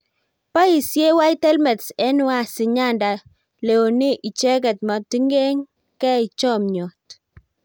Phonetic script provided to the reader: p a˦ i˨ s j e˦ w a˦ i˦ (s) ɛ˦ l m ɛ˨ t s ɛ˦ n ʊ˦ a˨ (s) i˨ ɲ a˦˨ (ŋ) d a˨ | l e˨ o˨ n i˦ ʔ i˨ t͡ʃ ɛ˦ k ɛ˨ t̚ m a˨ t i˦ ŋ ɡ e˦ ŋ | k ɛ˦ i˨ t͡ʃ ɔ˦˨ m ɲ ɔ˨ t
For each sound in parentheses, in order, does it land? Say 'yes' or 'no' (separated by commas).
no, yes, no